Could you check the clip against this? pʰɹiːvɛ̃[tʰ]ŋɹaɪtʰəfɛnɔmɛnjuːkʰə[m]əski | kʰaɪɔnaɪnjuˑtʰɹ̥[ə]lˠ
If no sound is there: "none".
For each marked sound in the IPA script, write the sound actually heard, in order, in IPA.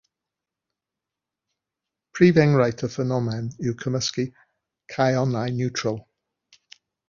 none, m, ə

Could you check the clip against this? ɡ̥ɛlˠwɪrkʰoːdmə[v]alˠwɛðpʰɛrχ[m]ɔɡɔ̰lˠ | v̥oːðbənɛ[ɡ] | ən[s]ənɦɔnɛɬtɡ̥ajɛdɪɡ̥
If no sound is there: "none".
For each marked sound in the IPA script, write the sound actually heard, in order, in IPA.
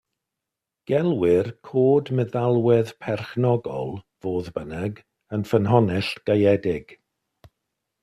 ð, n, ɡ, f

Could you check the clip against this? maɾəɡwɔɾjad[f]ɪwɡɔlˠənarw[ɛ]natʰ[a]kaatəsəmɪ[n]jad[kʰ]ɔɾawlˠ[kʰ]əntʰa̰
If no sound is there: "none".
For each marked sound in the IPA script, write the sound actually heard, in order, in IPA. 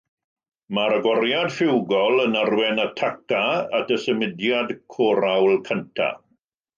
f, ɛ, a, d, kʰ, kʰ

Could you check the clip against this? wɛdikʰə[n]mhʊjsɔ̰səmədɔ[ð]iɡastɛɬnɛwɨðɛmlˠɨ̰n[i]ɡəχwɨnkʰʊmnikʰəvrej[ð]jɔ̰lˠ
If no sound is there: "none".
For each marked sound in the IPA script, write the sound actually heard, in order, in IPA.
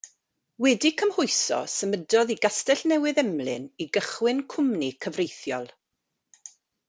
none, ð, i, θ

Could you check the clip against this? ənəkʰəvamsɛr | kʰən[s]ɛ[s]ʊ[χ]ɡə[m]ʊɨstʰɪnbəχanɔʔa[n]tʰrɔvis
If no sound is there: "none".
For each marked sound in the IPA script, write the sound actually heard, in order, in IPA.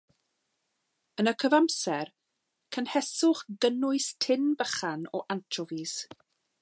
h, s, χ, n, n

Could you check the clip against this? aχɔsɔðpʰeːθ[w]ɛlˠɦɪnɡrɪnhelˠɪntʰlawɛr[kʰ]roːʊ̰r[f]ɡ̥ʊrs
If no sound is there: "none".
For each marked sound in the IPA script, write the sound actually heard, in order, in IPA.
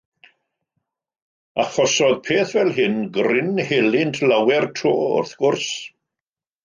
v, tʰ, θ

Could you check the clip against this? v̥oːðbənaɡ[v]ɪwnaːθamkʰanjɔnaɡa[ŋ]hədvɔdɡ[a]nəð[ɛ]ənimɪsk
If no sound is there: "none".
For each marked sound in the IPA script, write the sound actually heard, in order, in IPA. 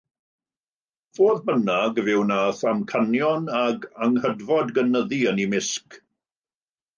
v, ŋ, ə, i

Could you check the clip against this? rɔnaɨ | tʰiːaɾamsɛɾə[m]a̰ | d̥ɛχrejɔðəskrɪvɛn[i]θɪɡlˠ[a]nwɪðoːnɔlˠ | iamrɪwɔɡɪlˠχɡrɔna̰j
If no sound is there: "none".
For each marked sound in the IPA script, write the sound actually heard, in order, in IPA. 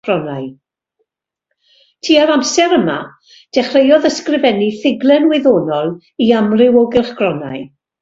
m, i, ɛ

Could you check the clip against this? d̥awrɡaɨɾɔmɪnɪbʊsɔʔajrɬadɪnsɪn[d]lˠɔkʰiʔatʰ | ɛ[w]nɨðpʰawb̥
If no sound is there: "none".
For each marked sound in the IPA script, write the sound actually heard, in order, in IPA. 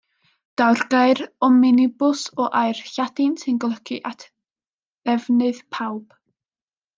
ɡ, v

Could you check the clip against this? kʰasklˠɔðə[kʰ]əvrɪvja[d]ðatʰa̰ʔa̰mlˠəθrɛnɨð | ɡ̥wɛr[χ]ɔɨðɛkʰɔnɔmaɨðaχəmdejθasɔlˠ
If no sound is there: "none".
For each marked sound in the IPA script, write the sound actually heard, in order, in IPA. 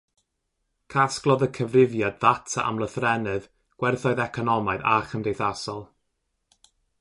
kʰ, d, θ

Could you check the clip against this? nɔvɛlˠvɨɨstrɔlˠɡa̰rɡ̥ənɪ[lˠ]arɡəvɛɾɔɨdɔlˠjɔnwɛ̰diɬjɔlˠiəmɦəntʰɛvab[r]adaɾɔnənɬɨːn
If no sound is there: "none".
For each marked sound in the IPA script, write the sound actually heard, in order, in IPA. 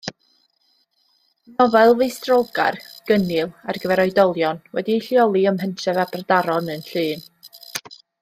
lˠ, r

